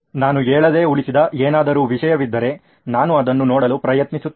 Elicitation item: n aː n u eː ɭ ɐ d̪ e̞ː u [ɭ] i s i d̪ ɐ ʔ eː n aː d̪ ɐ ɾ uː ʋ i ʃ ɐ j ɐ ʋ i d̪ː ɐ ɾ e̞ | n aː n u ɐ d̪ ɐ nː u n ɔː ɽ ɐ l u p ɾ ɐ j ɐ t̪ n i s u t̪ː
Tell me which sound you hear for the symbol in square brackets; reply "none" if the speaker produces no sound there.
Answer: ɭ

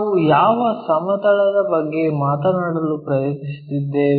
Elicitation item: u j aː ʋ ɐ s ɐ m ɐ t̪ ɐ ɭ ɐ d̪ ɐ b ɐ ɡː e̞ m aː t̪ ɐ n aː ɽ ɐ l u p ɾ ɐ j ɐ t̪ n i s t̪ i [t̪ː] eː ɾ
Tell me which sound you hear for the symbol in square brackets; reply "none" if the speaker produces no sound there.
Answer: d̪ː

